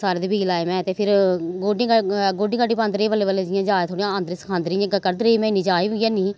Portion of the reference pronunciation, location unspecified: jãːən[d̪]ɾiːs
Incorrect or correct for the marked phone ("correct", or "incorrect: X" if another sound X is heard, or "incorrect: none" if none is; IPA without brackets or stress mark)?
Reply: correct